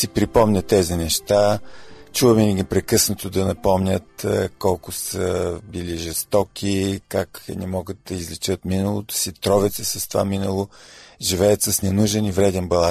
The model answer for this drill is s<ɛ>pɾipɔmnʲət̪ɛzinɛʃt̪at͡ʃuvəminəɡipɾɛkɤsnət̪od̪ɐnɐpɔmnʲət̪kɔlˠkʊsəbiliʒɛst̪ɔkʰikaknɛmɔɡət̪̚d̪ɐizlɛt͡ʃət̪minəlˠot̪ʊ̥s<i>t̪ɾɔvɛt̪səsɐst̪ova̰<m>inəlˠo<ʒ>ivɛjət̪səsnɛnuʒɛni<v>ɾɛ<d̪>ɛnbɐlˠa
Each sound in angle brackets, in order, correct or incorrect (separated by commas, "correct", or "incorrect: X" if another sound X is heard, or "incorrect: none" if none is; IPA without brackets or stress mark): incorrect: i, correct, correct, correct, correct, correct